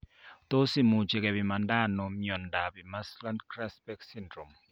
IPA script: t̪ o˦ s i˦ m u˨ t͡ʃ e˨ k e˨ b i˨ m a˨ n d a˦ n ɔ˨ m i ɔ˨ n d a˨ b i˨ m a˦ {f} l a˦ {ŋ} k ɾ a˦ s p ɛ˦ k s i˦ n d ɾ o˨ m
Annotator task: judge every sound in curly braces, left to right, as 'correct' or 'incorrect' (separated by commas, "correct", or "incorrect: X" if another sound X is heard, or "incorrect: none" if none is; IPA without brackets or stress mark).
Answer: incorrect: s, incorrect: n